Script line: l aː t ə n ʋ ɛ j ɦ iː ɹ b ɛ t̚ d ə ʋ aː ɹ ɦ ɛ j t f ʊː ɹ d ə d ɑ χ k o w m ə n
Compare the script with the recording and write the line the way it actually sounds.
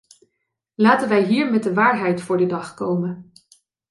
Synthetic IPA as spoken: l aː t ə n ʋ ɛ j ɦ iː ɹ m ɛ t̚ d ə ʋ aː ɹ ɦ ɛ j t f ʊː ɹ d ə d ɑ χ k o w m ə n